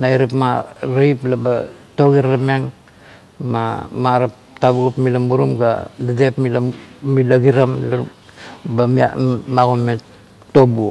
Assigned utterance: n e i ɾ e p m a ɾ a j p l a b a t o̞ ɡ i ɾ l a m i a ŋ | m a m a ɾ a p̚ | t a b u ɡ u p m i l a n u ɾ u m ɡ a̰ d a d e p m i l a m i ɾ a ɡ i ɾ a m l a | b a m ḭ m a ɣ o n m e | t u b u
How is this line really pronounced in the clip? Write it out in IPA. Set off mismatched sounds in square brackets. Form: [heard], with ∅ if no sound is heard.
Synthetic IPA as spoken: n [a] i ɾ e p m a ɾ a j p l a b a t o̞ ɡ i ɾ l a m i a ŋ | m a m a ɾ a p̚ | t a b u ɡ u p m i l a [m] u ɾ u m ɡ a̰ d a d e p m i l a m i [l] a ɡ i ɾ a m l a | b a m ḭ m a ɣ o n m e | t [o] b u

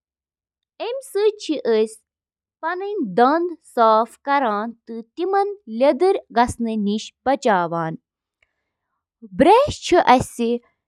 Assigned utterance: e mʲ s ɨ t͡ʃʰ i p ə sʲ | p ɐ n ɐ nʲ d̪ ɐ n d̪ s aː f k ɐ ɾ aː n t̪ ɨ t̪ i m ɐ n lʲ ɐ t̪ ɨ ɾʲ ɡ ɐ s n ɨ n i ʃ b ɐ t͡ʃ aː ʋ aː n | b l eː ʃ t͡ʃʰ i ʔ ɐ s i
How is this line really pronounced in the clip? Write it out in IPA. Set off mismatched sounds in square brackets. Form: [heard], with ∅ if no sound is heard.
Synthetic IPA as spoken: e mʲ s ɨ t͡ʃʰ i [ʔ] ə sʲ | p ɐ n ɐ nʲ d̪ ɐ n d̪ s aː f k ɐ ɾ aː n t̪ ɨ t̪ i m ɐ n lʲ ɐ [d̪] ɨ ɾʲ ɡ ɐ s n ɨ n i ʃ b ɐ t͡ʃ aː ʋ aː n | b [ɾ] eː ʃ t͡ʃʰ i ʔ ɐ s i

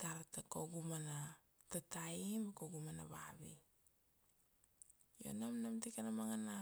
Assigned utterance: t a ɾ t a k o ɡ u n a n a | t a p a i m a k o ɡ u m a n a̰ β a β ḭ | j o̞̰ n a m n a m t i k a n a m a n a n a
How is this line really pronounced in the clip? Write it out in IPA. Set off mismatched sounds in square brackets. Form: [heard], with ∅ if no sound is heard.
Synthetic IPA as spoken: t a ɾ t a k o ɡ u [m] a n a | t a [t] a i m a k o ɡ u m a n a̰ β a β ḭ | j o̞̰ n a m n a m t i k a n a m a [ŋ] a n a

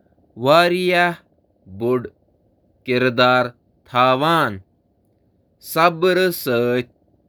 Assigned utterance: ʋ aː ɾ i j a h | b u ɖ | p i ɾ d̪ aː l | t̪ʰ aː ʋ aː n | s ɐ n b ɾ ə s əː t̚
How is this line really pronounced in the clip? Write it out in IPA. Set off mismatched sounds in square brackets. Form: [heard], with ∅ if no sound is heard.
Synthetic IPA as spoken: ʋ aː ɾ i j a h | b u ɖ | [k] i ɾ d̪ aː [ɾ] | t̪ʰ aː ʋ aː n | s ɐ [∅] b ɾ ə s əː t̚

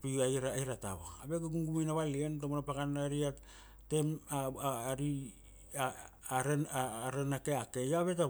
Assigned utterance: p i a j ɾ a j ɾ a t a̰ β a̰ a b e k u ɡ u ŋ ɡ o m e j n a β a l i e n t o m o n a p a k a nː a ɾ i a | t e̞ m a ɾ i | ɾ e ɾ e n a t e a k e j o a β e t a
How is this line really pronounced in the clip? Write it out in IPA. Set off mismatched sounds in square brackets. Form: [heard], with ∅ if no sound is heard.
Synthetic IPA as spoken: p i a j ɾ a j ɾ a t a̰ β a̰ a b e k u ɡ u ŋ ɡ [u] m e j n a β a l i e n t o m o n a p a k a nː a ɾ i a | t e̞ m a ɾ i | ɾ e ɾ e n a [k] e a k e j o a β e t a

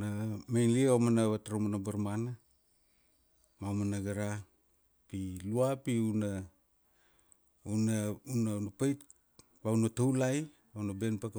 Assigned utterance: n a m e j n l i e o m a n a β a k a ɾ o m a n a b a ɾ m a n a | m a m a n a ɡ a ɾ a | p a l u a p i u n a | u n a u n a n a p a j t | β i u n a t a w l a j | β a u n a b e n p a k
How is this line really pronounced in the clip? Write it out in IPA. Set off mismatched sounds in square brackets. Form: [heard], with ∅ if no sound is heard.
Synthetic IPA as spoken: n a m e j n l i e o m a n a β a [t] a ɾ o m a n a b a ɾ m a n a | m a m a n a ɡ a ɾ a | p [i] l u a p i u n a | u n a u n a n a p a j t | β [a] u n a t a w l a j | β a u n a b e n p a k

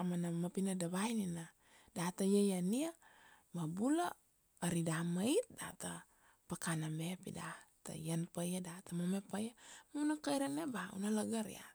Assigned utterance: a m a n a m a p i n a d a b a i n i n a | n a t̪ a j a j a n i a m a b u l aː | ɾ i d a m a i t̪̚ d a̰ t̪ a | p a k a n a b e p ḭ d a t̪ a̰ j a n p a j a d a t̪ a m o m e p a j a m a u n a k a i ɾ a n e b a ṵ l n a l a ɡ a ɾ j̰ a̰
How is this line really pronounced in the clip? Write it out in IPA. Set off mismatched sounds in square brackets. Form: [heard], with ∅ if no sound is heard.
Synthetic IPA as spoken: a m a n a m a p i n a d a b a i n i n a | [d] a t̪ a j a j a n i a m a b u l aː | ɾ i d a m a i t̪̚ d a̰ t̪ a | p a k a n a b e p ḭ d a t̪ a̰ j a n p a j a d a t̪ a m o m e p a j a m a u n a k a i ɾ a n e b a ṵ [∅] n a l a ɡ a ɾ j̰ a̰

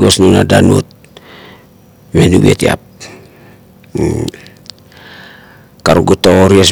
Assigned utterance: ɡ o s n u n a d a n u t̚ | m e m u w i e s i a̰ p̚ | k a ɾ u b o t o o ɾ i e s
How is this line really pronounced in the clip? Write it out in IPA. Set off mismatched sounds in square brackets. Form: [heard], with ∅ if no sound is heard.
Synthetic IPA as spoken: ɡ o s n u n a d a n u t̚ | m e [n] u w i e [t] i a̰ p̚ | k a ɾ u [ɡ] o t o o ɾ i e s

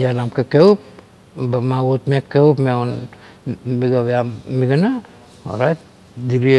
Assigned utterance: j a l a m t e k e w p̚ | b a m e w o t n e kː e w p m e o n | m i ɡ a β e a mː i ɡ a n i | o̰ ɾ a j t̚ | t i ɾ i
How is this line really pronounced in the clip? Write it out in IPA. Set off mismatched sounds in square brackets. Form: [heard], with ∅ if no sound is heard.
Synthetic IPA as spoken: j a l a m [k] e k e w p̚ | b a m [a] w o t [m] e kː e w p m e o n | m i ɡ a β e a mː i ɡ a n [a] | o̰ ɾ a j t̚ | [d] i ɾ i

